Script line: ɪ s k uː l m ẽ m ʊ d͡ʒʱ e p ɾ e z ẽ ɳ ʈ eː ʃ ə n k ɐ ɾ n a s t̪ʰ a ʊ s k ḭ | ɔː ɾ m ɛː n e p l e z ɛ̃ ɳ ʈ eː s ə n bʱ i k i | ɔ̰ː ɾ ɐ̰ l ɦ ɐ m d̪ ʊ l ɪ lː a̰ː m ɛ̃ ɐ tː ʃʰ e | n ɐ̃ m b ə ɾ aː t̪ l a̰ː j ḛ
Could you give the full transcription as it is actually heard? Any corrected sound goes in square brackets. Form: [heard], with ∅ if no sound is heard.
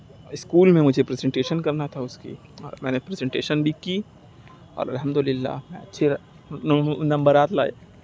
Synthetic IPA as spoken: ɪ s k uː l m ẽ m ʊ d͡ʒʱ e p ɾ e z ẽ ɳ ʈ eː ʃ ə n k ɐ ɾ n a [∅] t̪ʰ a ʊ s k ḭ | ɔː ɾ m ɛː n e p [ɾ] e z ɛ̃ ɳ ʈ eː [ʃ] ə n bʱ i k i | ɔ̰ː ɾ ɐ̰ l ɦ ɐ m d̪ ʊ l ɪ lː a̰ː m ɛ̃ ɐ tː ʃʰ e | n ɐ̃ m b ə ɾ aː t̪ l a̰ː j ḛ